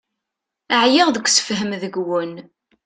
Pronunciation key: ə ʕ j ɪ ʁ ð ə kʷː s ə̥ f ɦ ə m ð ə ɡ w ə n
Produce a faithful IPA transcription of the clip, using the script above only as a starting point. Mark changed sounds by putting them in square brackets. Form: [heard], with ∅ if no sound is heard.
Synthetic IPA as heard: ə ʕ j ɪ ʁ ð ə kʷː s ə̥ f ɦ ə m ð ə ɡ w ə n